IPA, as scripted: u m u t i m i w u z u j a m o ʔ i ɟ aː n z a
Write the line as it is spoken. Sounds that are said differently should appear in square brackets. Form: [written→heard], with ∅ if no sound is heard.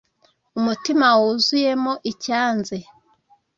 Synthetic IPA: u m u t i m [i→a] w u z u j [a→e] m o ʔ i [ɟ→c] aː n z [a→e]